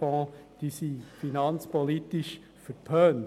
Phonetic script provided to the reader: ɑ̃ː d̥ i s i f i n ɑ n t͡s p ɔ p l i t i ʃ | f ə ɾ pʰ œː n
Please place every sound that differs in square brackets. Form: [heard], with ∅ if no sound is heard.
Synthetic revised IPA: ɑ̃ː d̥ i s i f i n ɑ n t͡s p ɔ [∅] l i t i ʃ | f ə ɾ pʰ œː n